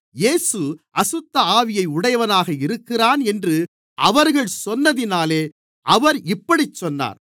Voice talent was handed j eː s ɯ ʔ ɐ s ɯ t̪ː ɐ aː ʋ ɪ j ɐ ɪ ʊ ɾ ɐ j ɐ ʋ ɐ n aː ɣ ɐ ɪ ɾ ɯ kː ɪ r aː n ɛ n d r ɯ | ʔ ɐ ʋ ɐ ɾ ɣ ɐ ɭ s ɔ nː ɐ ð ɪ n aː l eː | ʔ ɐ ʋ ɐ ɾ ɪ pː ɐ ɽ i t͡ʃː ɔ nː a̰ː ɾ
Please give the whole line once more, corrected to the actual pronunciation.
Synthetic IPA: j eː s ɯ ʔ ɐ s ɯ t̪ː ɐ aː ʋ ɪ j ɐ ɪ ʊ ɽ ɐ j ɐ ʋ ɐ n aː ɣ ɐ ɪ ɾ ɯ kː ɪ r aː n ɛ n d r ɯ | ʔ ɐ ʋ ɐ ɾ ɣ ɐ ɭ s ɔ nː ɐ ð ɪ n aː l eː | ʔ ɐ ʋ ɐ ɾ ɪ pː ɐ ɽ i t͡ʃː ɔ nː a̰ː ɾ